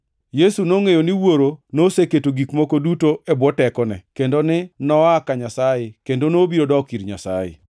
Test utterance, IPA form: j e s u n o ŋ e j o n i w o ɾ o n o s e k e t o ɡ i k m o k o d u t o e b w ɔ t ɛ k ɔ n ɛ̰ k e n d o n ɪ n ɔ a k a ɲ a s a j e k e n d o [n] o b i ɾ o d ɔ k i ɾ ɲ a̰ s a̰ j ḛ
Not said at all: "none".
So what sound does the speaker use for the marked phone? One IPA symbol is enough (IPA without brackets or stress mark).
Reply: n